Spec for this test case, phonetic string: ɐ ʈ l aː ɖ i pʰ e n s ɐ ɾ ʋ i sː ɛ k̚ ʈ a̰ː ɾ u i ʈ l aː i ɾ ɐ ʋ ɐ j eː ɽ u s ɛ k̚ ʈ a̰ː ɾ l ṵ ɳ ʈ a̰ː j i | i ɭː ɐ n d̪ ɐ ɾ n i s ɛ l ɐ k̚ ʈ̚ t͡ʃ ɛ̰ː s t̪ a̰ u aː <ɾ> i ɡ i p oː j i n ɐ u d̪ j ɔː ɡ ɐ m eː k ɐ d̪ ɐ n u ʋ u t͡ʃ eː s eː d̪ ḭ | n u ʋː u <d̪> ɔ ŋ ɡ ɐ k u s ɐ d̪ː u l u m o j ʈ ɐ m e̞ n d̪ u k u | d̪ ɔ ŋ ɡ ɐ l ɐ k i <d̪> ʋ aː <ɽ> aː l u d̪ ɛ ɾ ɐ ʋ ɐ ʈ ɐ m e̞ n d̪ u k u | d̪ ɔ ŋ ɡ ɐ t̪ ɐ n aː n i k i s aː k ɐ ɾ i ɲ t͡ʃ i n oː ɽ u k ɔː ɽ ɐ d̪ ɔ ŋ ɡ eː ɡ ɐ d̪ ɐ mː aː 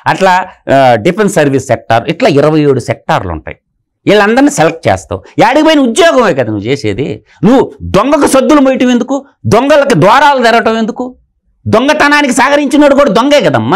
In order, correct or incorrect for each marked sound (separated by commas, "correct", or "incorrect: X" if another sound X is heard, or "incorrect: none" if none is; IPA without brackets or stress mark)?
incorrect: ɽ, correct, correct, incorrect: ɾ